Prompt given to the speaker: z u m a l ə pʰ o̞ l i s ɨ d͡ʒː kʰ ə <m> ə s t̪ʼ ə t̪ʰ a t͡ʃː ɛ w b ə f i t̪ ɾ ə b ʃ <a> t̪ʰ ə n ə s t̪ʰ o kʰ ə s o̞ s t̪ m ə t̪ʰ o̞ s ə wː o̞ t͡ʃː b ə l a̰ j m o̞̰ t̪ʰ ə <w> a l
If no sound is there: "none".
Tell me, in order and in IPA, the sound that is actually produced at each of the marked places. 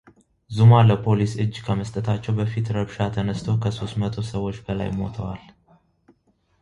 m, a, w

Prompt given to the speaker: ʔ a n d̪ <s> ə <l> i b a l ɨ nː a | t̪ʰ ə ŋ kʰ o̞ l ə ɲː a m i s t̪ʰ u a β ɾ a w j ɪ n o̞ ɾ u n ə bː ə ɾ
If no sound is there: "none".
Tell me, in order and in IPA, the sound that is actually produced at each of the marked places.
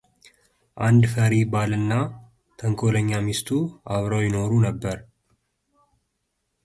f, ɾ

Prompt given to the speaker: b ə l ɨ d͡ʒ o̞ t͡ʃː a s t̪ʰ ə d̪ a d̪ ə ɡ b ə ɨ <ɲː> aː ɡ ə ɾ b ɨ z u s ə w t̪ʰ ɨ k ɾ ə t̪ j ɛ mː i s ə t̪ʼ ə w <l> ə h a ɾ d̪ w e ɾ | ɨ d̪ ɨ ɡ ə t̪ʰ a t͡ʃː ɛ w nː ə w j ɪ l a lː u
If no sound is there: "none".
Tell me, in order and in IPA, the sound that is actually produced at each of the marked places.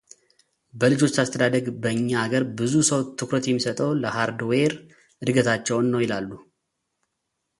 ɲː, l

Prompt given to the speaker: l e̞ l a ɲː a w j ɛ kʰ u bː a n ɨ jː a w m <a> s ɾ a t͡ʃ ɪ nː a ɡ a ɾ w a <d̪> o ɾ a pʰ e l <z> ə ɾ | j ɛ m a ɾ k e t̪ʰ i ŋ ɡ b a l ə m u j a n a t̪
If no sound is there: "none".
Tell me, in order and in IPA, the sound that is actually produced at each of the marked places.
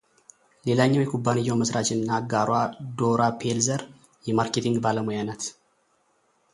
ə, d̪, z

